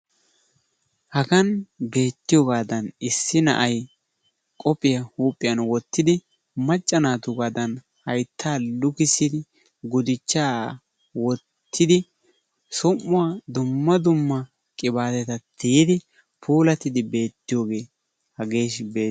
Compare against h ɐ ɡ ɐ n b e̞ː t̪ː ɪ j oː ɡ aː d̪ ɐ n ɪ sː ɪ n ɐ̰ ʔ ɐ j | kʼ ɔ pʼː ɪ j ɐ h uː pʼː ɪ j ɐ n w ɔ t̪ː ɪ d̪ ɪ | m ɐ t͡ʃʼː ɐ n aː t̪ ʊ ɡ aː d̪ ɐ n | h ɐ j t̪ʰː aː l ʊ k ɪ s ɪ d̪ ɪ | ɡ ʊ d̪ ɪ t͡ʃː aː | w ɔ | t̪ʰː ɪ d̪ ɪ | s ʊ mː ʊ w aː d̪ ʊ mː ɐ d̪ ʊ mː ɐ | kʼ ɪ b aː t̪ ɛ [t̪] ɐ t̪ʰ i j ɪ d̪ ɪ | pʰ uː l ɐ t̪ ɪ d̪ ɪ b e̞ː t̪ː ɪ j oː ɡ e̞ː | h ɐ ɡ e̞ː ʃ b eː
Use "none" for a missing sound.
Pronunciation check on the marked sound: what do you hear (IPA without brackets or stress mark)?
t̪